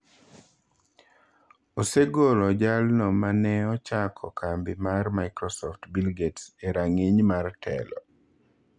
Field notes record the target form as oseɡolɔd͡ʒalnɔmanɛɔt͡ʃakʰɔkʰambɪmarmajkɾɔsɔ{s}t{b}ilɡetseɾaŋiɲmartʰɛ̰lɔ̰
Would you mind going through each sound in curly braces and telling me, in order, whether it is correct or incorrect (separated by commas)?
incorrect, correct